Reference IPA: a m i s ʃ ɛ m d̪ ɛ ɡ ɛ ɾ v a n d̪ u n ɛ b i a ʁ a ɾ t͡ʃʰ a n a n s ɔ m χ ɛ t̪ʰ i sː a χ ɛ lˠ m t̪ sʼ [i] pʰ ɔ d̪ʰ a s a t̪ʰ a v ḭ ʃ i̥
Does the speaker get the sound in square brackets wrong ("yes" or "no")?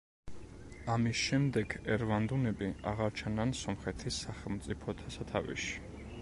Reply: no